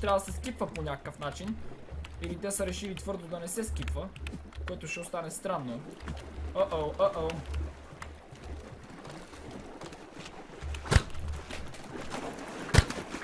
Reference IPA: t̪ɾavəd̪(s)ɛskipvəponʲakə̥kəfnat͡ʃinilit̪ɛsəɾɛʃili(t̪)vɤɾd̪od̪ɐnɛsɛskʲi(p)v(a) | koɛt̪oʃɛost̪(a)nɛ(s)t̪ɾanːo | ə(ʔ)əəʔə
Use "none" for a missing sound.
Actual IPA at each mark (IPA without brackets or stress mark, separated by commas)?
s, t̪, p, ə, a, s, ʔ